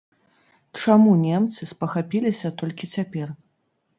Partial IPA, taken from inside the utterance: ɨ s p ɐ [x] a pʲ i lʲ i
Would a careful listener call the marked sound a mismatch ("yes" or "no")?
no